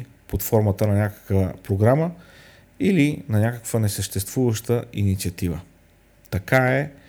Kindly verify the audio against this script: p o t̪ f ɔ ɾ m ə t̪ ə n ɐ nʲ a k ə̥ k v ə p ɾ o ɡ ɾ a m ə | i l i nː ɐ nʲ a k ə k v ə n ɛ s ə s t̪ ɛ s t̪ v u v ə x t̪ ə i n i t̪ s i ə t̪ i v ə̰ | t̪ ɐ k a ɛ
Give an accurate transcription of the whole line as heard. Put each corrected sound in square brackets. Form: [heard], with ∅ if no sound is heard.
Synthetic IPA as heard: p o t̪ f ɔ ɾ m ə t̪ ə n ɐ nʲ a k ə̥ k v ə p ɾ o ɡ ɾ a m ə | i l i [n] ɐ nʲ a k ə k v ə n ɛ s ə [ʃ] t̪ ɛ s t̪ v u v ə [ʃ] t̪ ə i n i t̪ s i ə t̪ i v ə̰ | t̪ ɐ k a ɛ